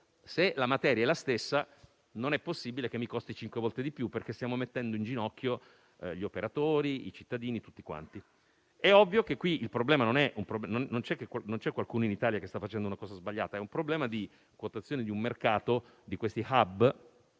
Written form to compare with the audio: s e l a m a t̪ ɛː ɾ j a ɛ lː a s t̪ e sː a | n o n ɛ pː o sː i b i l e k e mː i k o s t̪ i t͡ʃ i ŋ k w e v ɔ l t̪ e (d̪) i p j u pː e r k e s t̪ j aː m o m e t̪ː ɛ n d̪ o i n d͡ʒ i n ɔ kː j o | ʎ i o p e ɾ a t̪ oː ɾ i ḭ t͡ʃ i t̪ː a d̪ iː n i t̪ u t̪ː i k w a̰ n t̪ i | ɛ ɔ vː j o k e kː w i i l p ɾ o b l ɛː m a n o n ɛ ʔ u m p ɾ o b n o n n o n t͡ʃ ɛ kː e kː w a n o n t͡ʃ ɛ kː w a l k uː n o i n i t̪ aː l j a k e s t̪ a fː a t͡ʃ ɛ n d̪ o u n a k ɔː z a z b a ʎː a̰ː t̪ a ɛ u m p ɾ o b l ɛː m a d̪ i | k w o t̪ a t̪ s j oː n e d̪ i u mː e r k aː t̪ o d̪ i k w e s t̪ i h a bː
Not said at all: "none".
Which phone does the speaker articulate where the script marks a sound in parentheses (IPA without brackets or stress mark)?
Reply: d̪